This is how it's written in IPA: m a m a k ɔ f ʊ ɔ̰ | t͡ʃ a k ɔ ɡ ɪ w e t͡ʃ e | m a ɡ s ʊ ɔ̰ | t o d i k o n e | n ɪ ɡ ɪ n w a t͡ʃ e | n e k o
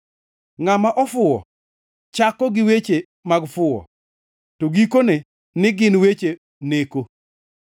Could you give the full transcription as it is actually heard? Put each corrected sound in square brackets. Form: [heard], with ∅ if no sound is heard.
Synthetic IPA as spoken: [ŋ] a m a [ʔ] ɔ f ʊ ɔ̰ | t͡ʃ a k ɔ ɡ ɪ w e t͡ʃ e | m a ɡ [f] ʊ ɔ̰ | t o [ɡ] i k o n e | n ɪ ɡ ɪ n w [e] t͡ʃ e | n e k o